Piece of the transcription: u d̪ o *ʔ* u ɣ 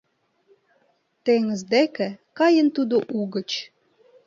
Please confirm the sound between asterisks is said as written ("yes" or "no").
yes